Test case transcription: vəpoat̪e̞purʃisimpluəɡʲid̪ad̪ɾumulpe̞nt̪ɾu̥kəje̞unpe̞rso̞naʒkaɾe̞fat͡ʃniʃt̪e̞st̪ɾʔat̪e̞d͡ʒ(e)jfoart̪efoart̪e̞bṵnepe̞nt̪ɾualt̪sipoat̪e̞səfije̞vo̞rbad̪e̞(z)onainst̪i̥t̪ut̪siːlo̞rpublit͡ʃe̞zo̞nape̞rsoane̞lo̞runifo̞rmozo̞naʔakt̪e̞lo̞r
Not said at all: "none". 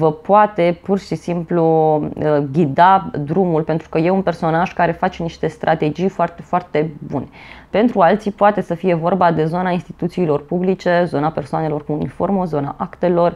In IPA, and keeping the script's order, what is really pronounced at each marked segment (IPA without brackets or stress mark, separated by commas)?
i, z